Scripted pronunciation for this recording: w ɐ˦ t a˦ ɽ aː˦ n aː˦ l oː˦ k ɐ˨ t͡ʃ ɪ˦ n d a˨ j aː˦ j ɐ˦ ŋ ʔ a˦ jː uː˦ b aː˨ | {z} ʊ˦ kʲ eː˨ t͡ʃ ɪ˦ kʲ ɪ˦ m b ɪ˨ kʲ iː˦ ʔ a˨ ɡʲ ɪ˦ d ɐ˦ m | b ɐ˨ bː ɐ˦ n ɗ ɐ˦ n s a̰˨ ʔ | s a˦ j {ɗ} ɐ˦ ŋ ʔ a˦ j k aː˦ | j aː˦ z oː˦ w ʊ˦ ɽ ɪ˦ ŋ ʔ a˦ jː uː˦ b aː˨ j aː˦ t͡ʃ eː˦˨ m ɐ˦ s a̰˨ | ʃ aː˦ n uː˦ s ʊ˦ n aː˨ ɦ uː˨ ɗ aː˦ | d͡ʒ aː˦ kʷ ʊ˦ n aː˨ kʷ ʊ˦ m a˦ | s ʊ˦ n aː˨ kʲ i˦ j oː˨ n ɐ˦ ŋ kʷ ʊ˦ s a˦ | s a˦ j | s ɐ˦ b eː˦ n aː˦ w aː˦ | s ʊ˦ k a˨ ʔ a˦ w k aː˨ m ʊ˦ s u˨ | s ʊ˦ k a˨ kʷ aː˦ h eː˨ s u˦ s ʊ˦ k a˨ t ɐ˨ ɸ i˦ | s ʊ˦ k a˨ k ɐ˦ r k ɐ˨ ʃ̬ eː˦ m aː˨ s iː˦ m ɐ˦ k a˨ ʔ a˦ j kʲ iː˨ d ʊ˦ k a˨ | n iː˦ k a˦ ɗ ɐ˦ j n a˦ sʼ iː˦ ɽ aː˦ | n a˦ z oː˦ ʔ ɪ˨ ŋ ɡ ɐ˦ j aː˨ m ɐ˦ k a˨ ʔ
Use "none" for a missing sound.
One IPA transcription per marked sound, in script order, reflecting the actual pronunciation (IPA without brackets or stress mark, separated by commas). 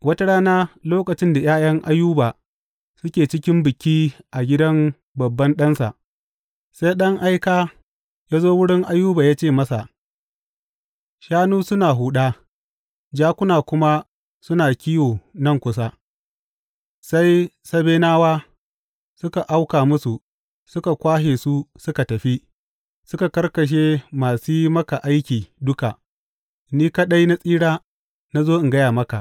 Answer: s, ɗ